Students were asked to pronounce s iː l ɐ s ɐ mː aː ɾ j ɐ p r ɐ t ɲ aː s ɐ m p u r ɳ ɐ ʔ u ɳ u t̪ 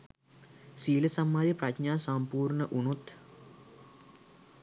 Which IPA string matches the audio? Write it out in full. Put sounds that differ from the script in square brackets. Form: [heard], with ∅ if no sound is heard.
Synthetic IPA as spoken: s iː l ɐ s ɐ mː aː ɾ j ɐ p r ɐ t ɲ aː s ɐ m p [uː] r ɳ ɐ ʔ u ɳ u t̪